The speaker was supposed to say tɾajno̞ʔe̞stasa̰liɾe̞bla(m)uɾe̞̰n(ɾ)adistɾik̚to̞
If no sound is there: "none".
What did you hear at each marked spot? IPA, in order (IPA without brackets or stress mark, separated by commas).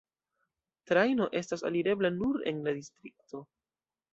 n, l